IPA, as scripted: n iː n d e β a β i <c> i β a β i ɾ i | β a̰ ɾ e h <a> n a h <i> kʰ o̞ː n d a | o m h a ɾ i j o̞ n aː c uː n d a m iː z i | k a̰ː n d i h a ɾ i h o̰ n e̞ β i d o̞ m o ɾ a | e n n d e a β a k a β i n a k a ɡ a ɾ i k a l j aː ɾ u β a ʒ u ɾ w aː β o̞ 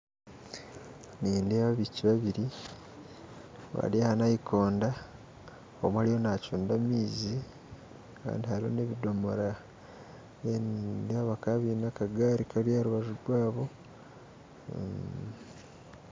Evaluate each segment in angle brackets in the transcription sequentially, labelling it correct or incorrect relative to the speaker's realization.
correct, correct, correct

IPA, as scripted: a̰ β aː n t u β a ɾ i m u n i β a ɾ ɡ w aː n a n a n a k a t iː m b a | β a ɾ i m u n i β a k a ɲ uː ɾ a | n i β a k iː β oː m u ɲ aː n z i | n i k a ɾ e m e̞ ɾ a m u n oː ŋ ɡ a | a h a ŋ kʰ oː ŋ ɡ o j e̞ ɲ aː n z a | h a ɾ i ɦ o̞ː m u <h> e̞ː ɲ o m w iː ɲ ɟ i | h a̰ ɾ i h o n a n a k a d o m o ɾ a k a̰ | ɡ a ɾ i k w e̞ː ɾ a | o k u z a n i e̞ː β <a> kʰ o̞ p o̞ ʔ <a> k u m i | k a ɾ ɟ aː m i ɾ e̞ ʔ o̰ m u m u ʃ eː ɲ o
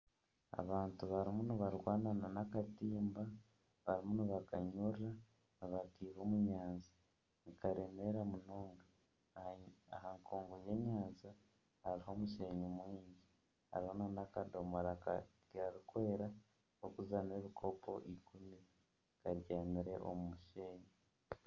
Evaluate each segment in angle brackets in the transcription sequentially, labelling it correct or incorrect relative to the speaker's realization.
incorrect: ʃ, incorrect: i, incorrect: i

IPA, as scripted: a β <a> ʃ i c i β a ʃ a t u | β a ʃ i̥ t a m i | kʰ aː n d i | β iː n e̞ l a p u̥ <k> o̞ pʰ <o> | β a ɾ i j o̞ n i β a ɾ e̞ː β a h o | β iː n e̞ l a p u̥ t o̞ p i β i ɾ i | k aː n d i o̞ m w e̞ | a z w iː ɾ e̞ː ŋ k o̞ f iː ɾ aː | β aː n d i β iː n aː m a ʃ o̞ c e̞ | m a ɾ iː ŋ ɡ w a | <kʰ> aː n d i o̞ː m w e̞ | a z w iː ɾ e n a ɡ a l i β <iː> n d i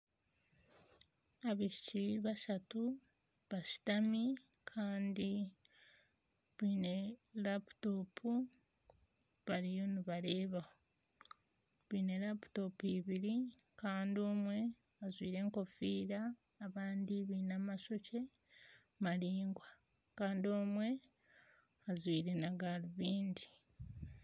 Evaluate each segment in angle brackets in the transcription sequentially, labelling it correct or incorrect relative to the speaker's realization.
incorrect: i, incorrect: t, incorrect: u, incorrect: k, correct

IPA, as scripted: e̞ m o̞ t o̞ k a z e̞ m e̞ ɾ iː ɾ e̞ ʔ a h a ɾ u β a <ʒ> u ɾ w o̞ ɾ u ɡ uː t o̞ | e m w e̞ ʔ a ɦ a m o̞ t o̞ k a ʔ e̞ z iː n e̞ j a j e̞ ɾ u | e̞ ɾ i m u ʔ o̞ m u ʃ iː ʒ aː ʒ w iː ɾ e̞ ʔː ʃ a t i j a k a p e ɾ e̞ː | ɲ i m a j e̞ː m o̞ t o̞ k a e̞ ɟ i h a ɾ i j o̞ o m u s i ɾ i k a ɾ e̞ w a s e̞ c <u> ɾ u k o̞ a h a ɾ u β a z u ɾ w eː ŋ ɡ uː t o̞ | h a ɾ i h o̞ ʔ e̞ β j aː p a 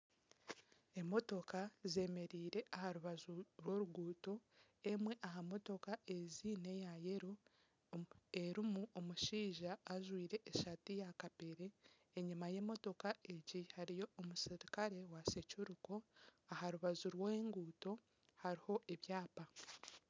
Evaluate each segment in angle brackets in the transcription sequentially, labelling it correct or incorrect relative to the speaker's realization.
incorrect: z, correct

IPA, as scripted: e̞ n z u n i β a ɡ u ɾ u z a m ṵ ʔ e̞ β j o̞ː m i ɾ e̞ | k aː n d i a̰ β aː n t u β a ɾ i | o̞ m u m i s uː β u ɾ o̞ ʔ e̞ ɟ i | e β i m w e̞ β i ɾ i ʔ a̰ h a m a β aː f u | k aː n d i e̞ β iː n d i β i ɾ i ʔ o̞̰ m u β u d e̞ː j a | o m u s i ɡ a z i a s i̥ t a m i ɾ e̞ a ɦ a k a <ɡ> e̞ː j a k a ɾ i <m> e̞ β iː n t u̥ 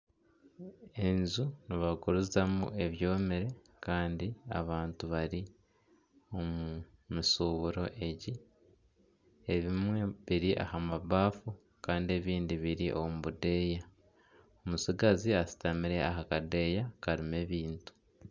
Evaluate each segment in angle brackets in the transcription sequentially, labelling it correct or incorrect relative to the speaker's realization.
incorrect: d, correct

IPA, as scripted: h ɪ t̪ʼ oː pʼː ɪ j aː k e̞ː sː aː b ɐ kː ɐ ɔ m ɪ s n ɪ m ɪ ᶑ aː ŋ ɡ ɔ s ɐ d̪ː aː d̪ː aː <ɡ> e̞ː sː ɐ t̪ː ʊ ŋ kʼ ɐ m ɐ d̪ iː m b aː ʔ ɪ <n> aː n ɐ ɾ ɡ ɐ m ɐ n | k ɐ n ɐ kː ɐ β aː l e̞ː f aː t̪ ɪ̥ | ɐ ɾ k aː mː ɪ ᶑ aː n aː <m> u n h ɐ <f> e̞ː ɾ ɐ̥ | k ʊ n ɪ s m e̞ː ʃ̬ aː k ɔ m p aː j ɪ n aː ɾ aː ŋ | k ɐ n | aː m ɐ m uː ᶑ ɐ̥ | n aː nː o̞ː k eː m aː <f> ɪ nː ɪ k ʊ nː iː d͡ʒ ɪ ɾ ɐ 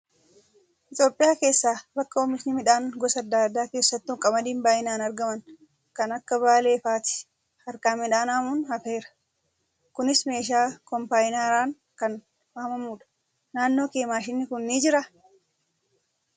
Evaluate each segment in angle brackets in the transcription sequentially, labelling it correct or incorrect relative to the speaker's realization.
incorrect: k, correct, correct, correct, incorrect: ʃ

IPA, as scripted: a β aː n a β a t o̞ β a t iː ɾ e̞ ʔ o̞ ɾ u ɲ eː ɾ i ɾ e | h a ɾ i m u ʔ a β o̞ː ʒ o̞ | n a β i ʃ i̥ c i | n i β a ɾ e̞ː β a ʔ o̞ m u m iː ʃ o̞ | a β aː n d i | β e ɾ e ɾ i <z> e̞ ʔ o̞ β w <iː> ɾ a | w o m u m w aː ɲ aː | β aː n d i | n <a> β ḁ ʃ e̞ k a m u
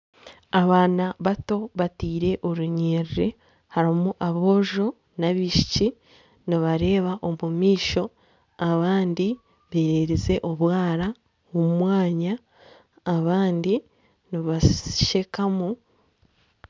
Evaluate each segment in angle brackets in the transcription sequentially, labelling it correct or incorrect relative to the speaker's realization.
correct, incorrect: aː, incorrect: i

